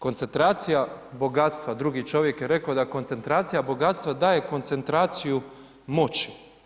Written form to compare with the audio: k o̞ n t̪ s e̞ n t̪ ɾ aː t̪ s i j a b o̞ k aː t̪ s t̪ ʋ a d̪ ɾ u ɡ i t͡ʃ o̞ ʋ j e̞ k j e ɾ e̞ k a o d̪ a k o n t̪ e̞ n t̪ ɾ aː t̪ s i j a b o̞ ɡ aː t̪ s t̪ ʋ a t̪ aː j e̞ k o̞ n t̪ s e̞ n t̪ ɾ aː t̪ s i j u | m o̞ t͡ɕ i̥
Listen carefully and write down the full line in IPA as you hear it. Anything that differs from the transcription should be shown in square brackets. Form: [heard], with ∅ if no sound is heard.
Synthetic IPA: k o̞ n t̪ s e̞ n t̪ ɾ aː t̪ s i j a b o̞ [ɡ] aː t̪ s t̪ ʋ a d̪ ɾ u ɡ i t͡ʃ o̞ ʋ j e̞ k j e ɾ e̞ k a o d̪ a k o n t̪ e̞ n t̪ ɾ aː t̪ s i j a b o̞ ɡ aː t̪ s t̪ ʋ a [d̪] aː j e̞ k o̞ n t̪ s e̞ n t̪ ɾ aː t̪ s i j u | m o̞ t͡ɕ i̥